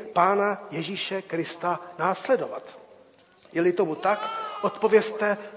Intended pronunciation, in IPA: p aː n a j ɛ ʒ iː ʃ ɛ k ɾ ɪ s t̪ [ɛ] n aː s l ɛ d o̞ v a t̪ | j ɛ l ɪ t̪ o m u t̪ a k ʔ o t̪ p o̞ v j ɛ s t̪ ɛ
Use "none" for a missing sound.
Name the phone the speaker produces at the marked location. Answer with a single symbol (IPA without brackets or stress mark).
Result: a